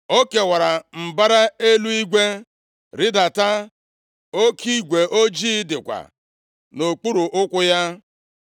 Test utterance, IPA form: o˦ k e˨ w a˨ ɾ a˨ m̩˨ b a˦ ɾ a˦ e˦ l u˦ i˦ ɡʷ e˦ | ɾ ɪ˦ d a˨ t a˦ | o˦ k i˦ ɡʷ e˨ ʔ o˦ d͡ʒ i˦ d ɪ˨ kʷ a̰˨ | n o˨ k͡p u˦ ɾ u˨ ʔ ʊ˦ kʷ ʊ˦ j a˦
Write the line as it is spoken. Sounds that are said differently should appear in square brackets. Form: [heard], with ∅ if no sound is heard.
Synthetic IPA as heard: o˦ k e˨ w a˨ ɾ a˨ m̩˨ b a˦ ɾ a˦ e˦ l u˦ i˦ ɡʷ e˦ | ɾ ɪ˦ d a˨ t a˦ | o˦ k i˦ ɡʷ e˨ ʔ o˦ d͡ʒ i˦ d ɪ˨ kʷ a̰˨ | n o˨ k͡p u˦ ɾ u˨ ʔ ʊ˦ kʷ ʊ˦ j a˦

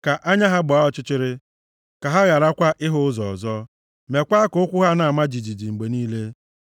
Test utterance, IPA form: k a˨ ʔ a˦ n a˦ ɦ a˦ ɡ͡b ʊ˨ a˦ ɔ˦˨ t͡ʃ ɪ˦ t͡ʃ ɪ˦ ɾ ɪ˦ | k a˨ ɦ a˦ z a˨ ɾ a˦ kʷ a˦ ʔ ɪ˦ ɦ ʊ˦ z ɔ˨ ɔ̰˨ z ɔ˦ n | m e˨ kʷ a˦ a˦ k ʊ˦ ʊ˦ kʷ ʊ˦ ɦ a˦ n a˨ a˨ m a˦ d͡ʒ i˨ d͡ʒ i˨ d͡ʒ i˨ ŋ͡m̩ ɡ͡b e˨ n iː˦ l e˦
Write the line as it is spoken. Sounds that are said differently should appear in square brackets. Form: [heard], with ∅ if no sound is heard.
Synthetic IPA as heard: k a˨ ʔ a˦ [ɲ] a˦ ɦ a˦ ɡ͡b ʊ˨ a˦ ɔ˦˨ t͡ʃ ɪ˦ t͡ʃ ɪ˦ ɾ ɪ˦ | k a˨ ɦ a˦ [ɣ] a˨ ɾ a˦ kʷ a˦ ʔ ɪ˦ ɦ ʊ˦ z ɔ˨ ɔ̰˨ z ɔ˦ [∅] | m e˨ kʷ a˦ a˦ k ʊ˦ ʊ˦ kʷ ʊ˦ ɦ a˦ n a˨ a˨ m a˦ d͡ʒ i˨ d͡ʒ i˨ d͡ʒ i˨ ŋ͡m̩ ɡ͡b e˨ n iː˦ l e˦

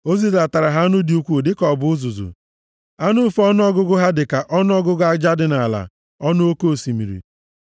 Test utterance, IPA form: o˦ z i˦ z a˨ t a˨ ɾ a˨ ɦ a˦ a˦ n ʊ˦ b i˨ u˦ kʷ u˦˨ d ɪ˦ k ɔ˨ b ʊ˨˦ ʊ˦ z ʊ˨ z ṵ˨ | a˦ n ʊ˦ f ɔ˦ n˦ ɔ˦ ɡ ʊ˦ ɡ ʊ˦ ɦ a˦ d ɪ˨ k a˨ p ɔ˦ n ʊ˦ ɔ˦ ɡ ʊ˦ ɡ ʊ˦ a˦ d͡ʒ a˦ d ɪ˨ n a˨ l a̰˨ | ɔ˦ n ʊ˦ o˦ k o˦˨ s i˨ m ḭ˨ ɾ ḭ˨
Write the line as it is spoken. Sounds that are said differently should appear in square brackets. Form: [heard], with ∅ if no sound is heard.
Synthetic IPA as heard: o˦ z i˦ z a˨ t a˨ ɾ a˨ ɦ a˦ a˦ n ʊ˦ [d] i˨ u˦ kʷ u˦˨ d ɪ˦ k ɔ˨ b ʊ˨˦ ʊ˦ z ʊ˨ z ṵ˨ | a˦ n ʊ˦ f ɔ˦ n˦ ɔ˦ ɡ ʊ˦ ɡ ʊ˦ ɦ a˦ d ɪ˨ k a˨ [ʔ] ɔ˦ n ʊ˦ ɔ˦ ɡ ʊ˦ ɡ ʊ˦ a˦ d͡ʒ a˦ d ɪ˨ n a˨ l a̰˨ | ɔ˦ n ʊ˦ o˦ k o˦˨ s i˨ m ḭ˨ ɾ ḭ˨

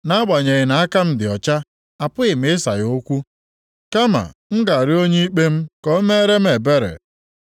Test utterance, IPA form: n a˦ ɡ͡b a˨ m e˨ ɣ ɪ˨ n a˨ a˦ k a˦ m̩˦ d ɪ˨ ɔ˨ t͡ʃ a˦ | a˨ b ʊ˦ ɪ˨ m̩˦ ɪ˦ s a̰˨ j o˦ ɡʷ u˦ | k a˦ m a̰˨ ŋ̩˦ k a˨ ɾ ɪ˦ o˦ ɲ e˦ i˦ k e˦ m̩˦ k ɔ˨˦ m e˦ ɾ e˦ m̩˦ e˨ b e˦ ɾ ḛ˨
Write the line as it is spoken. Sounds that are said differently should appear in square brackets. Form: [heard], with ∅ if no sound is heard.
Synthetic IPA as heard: n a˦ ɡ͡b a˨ [ɲ] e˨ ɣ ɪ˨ n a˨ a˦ k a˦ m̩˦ d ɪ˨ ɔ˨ t͡ʃ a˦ | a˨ [p] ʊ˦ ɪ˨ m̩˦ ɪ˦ s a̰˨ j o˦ [kʷ] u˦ | k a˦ m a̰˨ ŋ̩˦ [ɡ] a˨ ɾ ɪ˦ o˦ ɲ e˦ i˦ [k͡p] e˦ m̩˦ k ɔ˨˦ m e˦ ɾ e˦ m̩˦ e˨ b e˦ ɾ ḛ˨

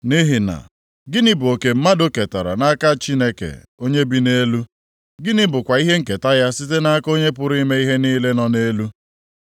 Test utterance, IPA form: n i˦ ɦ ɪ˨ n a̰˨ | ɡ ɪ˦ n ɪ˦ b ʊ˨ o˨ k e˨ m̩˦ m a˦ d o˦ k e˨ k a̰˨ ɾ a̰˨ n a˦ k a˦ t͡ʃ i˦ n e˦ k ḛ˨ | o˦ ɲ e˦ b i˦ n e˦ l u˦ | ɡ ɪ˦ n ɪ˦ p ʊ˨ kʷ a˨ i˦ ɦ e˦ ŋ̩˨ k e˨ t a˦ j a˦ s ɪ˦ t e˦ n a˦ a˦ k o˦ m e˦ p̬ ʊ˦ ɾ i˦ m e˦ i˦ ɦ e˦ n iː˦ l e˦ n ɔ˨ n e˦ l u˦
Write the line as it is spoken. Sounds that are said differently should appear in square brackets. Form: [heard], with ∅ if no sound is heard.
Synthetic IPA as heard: n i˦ ɦ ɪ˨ n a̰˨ | ɡ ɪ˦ n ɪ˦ b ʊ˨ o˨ k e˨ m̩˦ m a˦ d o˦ k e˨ [t] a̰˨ ɾ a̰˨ n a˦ k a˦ t͡ʃ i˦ n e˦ k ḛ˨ | o˦ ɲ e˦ b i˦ n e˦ l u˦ | ɡ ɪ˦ n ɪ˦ [b] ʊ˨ kʷ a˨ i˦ ɦ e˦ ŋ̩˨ k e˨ t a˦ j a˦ s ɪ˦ t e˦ n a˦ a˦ k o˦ [ɲ] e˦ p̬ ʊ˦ ɾ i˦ m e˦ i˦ ɦ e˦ n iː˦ l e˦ n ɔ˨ n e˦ l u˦

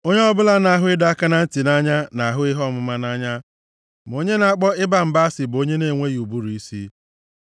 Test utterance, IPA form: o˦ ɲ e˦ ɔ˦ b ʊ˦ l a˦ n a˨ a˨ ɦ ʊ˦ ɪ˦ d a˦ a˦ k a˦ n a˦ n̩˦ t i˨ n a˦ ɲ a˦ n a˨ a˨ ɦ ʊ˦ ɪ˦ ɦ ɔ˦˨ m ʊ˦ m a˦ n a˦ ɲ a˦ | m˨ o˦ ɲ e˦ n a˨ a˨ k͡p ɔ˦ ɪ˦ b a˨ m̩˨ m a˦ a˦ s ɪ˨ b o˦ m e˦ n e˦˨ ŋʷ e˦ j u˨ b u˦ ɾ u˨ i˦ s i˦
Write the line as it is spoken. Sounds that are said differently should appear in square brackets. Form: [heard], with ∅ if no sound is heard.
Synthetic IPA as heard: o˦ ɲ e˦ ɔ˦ b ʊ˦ l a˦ n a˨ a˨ ɦ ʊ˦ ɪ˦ d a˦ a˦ k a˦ n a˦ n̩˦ t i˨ n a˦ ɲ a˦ n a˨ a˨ ɦ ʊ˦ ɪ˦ ɦ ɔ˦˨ m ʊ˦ m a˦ n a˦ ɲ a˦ | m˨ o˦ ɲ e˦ n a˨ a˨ k͡p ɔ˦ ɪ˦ b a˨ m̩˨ [b] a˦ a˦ s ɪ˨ b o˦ [ɲ] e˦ n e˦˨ ŋʷ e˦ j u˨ b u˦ ɾ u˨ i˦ s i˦

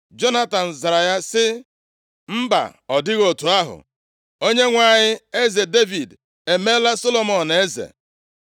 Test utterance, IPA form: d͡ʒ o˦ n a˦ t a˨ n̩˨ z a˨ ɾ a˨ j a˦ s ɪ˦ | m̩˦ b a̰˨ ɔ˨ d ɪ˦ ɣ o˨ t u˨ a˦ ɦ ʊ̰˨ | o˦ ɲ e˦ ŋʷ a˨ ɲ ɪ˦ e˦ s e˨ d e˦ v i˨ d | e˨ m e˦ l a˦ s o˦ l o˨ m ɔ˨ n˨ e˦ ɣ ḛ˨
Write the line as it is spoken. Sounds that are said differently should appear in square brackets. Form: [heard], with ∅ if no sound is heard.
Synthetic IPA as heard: d͡ʒ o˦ n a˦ t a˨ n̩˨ z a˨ ɾ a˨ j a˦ s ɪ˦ | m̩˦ b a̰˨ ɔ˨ d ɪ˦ ɣ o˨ t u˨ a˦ ɦ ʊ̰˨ | o˦ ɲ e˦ ŋʷ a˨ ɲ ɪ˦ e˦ [z] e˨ d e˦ v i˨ d | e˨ m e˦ l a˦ s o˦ l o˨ m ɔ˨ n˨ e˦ [z] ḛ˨

